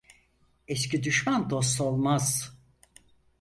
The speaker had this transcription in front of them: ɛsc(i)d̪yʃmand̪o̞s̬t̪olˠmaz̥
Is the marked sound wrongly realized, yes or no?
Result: no